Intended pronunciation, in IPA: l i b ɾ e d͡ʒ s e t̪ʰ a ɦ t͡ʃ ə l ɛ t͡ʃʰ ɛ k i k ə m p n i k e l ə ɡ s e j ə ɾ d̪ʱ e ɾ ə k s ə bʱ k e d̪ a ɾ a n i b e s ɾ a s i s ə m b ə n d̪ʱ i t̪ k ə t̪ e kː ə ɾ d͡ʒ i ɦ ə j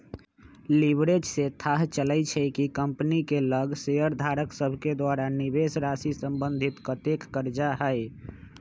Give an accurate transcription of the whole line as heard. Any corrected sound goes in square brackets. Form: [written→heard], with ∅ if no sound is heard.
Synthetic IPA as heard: l i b ɾ e d͡ʒ s e t̪ʰ a ɦ t͡ʃ ə l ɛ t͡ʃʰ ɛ k i k ə m p n i k e l ə ɡ s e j ə ɾ d̪ʱ [e→a] ɾ ə k s ə bʱ k e d̪ a ɾ a n i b e s ɾ a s i s ə m b ə n d̪ʱ i t̪ k ə t̪ e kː ə ɾ d͡ʒ [i→a] ɦ ə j